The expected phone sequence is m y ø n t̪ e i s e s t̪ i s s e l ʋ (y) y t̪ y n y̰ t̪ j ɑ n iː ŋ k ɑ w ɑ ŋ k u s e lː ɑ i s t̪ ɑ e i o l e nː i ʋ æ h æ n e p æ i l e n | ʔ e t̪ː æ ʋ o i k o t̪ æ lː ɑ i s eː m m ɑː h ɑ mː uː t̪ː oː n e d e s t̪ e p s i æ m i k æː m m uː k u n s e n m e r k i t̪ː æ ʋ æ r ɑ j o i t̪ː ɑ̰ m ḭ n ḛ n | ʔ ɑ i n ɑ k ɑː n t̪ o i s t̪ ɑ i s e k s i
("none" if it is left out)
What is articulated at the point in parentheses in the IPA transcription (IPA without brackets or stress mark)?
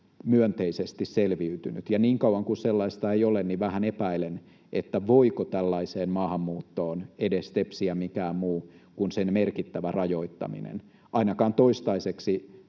i